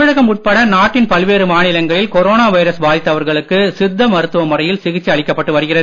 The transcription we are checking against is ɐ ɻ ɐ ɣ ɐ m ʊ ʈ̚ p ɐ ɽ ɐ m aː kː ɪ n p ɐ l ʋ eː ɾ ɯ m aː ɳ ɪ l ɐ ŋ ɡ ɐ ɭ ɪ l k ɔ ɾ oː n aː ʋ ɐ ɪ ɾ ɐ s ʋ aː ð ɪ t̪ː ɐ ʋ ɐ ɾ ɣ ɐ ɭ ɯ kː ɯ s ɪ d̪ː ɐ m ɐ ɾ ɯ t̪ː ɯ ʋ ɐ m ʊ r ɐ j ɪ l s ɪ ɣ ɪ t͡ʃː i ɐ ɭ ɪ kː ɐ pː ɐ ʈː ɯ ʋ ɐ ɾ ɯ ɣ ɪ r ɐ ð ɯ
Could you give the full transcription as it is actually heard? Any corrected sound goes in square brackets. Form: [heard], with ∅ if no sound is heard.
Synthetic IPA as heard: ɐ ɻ ɐ ɣ ɐ m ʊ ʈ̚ p ɐ ɽ ɐ [n] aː [ʈː] ɪ n p ɐ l ʋ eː ɾ ɯ m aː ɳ ɪ l ɐ ŋ ɡ ɐ ɭ ɪ l k ɔ ɾ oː n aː ʋ ɐ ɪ ɾ ɐ s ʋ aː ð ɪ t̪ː ɐ ʋ ɐ ɾ ɣ ɐ ɭ ɯ kː ɯ s ɪ d̪ː ɐ m ɐ ɾ ɯ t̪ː ɯ ʋ ɐ m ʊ r ɐ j ɪ l s ɪ ɣ ɪ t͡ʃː i ɐ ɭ ɪ kː ɐ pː ɐ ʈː ɯ ʋ ɐ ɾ ɯ ɣ ɪ r ɐ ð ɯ